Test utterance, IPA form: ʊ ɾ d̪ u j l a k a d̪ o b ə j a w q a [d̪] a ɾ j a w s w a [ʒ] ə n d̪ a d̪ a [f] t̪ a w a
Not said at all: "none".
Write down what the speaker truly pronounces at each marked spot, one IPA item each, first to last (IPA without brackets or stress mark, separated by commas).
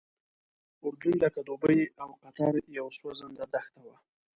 t̪, z, x